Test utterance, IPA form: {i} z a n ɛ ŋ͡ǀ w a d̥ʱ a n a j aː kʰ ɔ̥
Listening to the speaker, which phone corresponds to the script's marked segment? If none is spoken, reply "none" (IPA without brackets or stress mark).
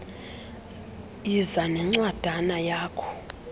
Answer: i